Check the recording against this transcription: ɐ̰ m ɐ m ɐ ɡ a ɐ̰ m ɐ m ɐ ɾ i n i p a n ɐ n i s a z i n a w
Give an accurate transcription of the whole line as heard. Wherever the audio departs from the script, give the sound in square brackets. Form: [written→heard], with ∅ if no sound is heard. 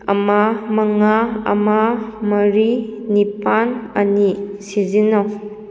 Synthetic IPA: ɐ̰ m [ɐ→a] m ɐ [ɡ→ŋ] a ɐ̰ m [ɐ→a] m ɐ ɾ i n i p a n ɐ n i s [a→i] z i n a w